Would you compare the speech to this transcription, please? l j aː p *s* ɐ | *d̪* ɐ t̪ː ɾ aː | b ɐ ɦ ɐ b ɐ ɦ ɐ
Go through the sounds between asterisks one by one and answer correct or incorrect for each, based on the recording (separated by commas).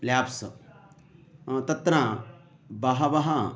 correct, incorrect